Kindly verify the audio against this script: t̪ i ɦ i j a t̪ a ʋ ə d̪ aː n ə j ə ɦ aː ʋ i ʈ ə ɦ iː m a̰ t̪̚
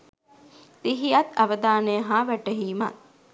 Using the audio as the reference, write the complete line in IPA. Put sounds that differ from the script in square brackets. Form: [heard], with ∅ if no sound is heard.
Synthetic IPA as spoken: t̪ i ɦ i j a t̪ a ʋ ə d̪ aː n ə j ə ɦ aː ʋ [æ] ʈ ə ɦ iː m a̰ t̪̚